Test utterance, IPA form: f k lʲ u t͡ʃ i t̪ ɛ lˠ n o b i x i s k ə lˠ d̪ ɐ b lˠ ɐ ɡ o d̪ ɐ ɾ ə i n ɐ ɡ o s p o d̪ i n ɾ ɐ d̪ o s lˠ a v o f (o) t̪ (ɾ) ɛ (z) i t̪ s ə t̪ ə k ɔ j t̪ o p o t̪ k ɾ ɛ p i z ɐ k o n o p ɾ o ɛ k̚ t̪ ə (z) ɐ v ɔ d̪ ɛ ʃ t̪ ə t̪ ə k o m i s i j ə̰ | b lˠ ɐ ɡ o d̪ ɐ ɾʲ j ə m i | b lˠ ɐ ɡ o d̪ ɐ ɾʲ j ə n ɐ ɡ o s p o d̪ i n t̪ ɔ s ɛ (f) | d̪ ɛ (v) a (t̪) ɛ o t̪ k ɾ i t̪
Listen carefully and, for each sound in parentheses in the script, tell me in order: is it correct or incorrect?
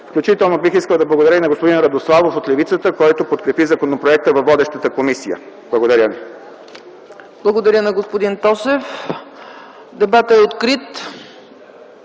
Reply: correct, incorrect, incorrect, incorrect, correct, incorrect, correct

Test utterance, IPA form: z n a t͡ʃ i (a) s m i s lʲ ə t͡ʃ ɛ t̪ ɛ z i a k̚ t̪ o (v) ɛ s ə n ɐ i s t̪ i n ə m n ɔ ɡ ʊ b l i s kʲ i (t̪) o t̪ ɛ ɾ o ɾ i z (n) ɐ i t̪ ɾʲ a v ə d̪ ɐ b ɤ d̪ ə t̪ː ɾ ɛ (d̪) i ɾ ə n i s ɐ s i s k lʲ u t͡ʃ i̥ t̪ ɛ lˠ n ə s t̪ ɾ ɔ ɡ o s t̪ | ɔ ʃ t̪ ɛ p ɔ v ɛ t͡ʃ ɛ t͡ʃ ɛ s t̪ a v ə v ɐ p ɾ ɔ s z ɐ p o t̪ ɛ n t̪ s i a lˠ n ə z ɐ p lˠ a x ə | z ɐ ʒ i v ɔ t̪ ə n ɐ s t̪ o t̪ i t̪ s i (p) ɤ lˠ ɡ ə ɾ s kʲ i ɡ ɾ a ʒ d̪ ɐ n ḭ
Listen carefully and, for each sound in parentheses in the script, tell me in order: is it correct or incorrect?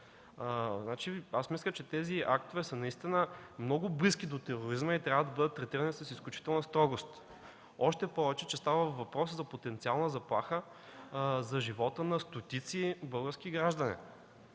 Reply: correct, correct, incorrect, incorrect, incorrect, incorrect

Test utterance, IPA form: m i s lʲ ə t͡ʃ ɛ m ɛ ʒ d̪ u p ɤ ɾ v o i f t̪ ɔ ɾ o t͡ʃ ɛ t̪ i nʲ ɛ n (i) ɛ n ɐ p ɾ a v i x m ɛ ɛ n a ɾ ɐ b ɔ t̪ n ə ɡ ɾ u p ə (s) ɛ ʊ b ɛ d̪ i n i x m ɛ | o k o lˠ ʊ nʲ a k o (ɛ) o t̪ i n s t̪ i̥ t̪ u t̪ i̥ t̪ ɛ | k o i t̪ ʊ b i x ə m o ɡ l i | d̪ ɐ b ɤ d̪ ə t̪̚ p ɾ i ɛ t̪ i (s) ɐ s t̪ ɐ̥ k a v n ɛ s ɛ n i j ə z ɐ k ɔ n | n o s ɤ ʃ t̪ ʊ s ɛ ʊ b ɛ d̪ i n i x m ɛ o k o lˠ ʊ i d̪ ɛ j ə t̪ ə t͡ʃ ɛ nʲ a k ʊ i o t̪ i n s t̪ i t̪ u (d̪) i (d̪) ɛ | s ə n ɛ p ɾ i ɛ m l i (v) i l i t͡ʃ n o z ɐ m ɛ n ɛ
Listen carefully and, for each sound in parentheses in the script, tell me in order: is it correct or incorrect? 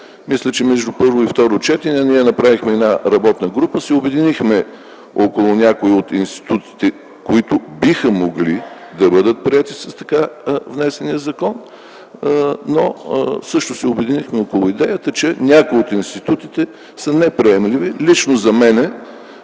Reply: correct, correct, incorrect, correct, incorrect, incorrect, correct

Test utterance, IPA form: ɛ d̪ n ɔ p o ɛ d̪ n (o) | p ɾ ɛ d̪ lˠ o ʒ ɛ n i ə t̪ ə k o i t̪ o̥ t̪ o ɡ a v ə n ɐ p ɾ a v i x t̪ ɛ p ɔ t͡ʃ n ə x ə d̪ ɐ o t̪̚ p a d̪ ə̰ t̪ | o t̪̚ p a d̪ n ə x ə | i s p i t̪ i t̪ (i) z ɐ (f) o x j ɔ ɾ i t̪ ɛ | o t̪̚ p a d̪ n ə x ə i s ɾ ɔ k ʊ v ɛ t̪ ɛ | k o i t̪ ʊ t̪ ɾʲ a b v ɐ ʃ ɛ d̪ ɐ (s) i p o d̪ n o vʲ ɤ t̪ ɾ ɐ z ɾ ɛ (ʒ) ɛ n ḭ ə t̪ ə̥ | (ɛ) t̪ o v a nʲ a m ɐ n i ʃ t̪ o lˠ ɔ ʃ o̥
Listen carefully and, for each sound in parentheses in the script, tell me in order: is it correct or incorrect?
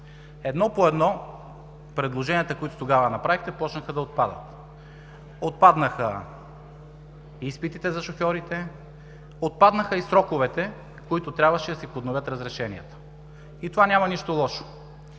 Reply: incorrect, incorrect, incorrect, correct, incorrect, incorrect

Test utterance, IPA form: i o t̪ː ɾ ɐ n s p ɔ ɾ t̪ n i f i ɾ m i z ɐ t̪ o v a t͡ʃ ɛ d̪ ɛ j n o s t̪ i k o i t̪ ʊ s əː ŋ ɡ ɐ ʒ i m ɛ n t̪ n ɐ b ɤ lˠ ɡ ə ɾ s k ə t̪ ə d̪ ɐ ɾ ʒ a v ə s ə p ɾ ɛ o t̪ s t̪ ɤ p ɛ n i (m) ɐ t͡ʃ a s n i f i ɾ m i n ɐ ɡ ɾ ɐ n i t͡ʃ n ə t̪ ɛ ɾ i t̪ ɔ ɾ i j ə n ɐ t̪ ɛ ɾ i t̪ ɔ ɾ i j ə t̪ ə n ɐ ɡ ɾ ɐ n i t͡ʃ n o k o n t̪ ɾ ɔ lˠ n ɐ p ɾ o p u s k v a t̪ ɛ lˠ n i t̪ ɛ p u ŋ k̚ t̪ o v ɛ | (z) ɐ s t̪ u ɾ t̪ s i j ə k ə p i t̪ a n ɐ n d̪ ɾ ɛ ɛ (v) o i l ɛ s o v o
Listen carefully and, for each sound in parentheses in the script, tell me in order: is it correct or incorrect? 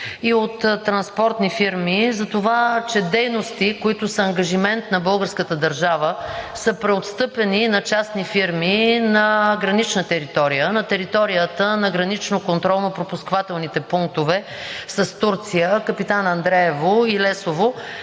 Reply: incorrect, incorrect, correct

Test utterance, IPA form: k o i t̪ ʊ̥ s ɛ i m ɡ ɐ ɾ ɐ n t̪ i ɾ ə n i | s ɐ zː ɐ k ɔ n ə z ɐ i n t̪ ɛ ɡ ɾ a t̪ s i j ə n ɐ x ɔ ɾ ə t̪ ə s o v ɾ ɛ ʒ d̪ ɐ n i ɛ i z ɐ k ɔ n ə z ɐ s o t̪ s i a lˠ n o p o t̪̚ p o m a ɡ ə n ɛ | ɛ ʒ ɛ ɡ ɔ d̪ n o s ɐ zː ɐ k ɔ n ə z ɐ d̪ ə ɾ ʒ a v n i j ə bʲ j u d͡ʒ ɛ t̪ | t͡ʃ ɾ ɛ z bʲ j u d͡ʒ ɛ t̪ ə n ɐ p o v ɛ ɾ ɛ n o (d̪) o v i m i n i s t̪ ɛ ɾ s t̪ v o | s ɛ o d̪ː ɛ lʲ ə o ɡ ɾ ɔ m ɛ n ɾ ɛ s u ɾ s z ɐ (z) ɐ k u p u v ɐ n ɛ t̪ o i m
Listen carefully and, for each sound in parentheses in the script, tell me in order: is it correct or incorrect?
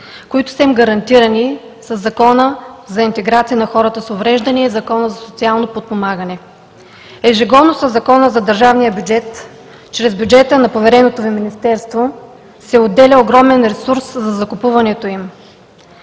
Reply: incorrect, correct

